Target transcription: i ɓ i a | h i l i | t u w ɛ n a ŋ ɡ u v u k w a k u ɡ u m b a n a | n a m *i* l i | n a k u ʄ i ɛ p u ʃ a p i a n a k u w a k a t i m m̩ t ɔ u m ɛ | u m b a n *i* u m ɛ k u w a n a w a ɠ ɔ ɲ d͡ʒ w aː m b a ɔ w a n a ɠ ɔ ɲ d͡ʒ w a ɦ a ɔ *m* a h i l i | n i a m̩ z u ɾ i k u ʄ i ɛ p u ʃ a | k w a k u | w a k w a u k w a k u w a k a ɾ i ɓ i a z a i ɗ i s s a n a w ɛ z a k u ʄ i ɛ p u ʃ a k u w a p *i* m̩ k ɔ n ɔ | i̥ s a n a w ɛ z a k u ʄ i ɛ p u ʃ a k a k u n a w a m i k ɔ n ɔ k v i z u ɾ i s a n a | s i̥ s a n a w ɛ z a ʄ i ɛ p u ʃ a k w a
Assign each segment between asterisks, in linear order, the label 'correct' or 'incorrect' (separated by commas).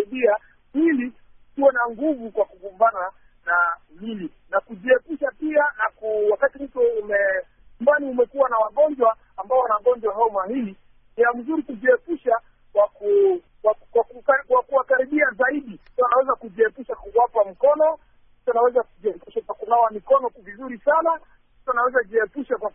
correct, correct, correct, incorrect